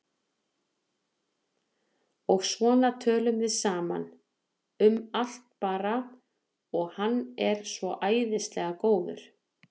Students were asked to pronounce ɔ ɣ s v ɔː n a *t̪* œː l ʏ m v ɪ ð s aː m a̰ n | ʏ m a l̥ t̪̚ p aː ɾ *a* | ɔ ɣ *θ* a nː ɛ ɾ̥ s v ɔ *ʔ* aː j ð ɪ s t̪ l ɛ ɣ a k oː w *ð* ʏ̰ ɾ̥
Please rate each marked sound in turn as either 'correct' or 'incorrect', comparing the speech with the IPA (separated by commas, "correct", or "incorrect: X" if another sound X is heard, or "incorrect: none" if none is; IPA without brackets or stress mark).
incorrect: t̪ʰ, correct, incorrect: h, correct, correct